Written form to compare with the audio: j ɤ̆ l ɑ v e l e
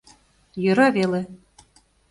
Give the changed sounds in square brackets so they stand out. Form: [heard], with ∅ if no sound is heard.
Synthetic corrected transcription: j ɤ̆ [ɾ] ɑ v e l e